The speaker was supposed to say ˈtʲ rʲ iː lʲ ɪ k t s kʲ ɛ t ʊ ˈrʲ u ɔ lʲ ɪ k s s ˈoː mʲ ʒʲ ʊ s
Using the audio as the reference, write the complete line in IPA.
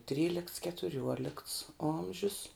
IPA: ˈtʲ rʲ iː lʲ ɪ k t s kʲ ɛ t ʊ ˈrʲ u ɔ lʲ ɪ k t s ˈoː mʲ ʒʲ ʊ s